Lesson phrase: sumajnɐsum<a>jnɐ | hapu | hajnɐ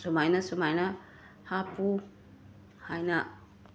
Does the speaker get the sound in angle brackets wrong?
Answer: no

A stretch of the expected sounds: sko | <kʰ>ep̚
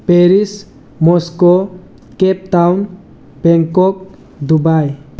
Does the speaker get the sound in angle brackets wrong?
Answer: yes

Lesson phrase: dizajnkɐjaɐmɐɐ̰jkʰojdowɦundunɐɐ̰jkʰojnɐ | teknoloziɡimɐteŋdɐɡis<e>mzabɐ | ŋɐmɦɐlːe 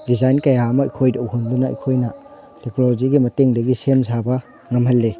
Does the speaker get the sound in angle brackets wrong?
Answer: no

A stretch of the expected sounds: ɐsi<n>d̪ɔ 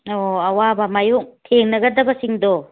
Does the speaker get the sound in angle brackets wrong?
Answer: yes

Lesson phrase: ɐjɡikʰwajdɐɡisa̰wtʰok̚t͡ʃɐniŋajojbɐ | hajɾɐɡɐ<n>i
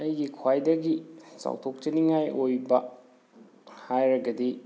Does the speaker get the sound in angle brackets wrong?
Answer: yes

